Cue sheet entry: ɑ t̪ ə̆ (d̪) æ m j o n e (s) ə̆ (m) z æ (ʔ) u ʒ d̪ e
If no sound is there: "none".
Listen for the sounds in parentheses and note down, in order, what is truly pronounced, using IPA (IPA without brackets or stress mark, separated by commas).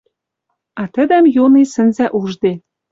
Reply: d̪, s, n, ʔ